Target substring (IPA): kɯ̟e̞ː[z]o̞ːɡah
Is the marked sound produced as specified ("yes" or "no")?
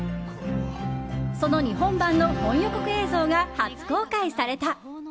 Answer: yes